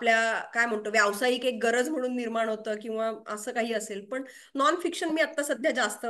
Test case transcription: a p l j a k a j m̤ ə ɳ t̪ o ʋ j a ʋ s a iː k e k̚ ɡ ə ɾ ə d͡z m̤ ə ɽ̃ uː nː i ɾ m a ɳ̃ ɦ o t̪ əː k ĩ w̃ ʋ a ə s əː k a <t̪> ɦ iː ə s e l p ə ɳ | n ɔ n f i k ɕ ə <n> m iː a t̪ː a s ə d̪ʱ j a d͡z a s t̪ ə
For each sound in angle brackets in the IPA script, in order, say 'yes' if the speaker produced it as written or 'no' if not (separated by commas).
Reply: no, yes